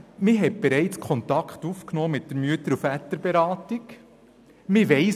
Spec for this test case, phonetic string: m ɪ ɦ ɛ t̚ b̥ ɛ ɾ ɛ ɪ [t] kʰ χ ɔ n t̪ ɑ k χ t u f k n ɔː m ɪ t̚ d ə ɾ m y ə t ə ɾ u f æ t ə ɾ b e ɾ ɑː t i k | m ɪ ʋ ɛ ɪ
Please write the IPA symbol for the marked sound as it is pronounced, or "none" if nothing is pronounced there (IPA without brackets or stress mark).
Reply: t͡s